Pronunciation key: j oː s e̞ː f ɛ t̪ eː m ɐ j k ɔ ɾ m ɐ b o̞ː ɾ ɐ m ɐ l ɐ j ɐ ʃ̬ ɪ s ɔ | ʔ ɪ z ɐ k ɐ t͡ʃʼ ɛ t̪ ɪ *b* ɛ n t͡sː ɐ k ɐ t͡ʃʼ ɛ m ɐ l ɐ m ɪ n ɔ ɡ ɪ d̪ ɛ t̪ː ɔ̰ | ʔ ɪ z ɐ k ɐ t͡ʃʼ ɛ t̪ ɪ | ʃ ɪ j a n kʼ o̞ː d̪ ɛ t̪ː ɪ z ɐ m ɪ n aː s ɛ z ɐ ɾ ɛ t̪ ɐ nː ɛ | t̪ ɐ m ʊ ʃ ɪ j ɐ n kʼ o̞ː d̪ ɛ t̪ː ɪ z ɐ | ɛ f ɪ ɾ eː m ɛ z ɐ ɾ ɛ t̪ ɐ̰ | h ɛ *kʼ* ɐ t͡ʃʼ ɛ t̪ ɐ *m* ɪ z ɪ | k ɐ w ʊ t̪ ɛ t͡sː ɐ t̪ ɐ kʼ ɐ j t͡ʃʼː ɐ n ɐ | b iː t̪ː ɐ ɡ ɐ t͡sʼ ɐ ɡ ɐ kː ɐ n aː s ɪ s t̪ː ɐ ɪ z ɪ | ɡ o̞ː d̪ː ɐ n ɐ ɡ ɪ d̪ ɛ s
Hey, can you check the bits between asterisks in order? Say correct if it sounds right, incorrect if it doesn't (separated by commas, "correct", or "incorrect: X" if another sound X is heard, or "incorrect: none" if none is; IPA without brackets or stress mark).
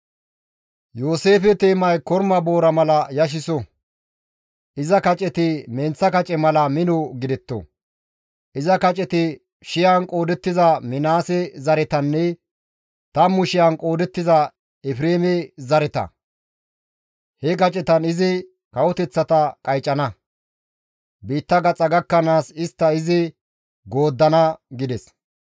incorrect: m, incorrect: k, incorrect: n